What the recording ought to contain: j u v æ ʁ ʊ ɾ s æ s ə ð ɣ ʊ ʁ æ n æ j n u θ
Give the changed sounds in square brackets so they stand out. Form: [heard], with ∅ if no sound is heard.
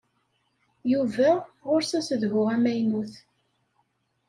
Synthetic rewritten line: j u v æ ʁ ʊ ɾ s æ s ə ð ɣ ʊ ʁ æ [m] æ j n u θ